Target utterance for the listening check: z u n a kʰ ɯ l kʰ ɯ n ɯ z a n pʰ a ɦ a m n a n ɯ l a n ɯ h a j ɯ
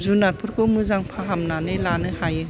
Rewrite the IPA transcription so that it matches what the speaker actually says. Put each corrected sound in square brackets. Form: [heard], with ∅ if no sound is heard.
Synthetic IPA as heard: z u n a [pʰ] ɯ [ɾ] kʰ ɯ [m] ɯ z a [ŋ] pʰ a ɦ a m n a n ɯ l a n ɯ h a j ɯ